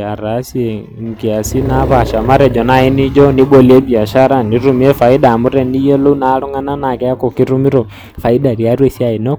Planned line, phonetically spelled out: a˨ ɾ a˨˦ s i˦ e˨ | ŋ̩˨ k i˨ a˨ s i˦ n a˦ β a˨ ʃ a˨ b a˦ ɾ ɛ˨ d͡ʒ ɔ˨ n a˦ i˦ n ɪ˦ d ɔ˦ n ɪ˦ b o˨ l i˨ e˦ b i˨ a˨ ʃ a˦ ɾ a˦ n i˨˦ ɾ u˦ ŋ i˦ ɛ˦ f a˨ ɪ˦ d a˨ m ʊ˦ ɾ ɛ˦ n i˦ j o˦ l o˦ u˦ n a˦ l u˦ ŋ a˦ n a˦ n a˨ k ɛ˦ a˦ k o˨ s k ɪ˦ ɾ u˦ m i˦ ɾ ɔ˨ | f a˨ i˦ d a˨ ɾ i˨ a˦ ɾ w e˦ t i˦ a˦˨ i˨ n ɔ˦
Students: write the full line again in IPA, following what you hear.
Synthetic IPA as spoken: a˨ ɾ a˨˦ s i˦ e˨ | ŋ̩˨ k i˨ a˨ s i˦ n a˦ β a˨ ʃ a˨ m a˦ ɾ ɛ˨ d͡ʒ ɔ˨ n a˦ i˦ n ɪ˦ d͡ʒ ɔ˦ n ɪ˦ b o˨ l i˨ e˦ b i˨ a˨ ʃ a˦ ɾ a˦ n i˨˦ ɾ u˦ m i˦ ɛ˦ f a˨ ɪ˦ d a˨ m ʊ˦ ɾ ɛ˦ n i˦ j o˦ l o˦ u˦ n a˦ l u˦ ŋ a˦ n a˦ n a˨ k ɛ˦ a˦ k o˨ k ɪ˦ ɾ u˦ m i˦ ɾ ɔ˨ | f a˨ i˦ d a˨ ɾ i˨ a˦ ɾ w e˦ s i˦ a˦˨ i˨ n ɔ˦